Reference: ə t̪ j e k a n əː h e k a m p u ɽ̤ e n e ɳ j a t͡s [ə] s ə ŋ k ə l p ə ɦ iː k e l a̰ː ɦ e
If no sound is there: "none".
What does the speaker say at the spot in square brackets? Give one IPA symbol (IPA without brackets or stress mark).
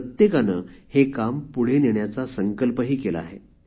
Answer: a